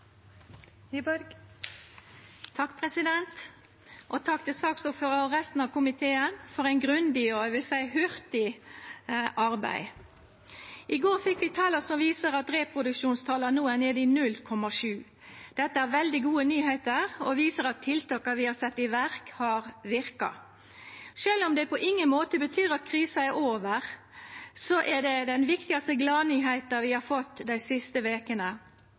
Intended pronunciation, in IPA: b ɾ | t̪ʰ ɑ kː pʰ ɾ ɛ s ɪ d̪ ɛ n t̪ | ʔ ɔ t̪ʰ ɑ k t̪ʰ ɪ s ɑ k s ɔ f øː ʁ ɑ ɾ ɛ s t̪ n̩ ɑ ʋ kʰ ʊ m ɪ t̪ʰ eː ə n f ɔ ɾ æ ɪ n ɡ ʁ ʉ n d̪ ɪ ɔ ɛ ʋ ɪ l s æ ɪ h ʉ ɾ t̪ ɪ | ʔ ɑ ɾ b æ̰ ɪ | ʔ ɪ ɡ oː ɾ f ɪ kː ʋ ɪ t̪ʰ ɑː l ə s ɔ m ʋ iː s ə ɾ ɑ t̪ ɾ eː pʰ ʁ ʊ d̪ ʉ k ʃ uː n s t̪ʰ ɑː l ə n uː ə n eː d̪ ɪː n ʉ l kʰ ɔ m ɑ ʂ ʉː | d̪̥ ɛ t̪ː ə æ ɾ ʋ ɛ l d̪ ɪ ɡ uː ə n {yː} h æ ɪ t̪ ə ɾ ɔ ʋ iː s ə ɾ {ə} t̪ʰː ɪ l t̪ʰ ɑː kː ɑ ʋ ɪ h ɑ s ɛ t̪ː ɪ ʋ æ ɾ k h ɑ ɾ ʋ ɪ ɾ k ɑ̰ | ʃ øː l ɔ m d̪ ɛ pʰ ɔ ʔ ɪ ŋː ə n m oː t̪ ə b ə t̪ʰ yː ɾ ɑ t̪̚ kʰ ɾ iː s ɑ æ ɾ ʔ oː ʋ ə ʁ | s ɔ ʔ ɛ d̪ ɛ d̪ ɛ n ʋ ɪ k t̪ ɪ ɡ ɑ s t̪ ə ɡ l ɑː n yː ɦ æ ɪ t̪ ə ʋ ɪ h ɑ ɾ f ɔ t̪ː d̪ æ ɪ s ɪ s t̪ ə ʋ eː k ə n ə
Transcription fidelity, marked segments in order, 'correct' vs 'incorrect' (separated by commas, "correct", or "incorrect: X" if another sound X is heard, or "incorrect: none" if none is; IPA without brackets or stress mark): correct, incorrect: ɑ